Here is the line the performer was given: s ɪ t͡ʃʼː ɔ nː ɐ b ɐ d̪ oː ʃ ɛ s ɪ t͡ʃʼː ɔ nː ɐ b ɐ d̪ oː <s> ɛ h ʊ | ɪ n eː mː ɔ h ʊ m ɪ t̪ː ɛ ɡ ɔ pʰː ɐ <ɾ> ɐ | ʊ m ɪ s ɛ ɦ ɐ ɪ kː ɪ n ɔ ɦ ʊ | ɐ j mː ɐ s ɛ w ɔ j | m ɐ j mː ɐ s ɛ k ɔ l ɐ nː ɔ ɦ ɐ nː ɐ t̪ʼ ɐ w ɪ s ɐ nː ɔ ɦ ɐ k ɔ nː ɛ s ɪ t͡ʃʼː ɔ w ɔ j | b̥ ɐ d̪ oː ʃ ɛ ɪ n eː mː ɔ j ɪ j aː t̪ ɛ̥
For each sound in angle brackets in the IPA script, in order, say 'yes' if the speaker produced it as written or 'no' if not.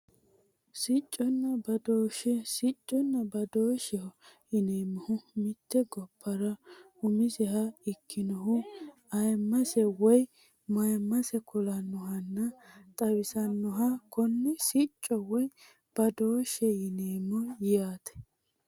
no, yes

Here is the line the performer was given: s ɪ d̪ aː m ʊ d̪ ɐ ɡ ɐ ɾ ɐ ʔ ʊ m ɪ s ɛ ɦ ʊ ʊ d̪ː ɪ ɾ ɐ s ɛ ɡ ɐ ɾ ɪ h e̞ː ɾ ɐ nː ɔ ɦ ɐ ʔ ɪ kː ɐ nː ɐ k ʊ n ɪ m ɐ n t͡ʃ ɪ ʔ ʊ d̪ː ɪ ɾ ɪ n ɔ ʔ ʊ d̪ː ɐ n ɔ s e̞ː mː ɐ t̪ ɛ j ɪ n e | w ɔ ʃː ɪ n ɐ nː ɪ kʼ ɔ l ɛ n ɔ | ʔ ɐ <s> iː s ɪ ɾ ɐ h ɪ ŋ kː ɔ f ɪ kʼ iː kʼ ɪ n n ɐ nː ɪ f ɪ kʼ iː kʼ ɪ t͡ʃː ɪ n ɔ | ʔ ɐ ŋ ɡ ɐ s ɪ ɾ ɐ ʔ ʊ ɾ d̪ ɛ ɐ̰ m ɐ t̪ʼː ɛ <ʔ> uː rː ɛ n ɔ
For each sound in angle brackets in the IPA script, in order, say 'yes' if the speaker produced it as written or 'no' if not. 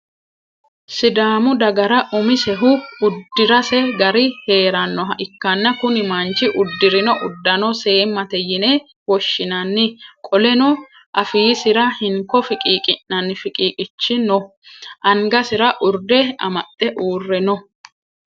no, yes

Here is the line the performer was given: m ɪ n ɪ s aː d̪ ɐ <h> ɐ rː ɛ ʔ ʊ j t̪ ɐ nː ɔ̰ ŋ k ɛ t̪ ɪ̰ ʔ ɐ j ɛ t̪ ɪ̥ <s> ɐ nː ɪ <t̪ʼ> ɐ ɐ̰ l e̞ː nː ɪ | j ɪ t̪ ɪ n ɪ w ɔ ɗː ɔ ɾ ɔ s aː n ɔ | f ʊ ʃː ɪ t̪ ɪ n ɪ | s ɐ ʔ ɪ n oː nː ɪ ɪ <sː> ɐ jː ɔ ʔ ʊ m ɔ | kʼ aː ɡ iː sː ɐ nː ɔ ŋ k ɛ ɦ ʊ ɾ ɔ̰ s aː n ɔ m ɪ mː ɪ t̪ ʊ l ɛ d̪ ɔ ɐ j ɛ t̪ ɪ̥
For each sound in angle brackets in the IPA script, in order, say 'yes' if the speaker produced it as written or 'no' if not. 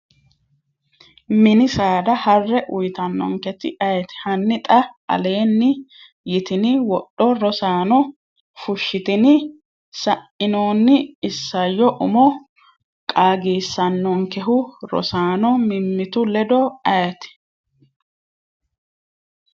yes, no, yes, yes

